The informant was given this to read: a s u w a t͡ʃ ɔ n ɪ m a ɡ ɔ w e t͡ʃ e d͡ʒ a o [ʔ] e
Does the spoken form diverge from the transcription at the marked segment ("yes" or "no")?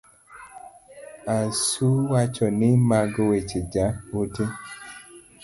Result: yes